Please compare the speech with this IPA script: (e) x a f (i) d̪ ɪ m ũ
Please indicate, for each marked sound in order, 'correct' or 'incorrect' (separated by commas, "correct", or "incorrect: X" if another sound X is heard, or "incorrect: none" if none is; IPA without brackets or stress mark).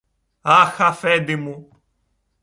incorrect: a, incorrect: ɛ